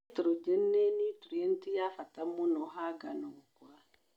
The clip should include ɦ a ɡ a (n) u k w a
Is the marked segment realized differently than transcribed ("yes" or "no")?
no